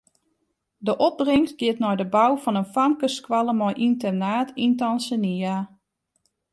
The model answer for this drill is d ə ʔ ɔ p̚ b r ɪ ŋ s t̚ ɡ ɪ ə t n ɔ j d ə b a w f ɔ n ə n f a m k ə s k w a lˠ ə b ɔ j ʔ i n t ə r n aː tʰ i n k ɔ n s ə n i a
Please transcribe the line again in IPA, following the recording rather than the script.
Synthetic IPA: d ə ʔ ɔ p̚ b r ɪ ŋ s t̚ ɡ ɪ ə t n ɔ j d ə b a w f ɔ n ə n f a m k ə s k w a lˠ ə m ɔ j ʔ i n t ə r n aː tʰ i n t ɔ n s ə n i a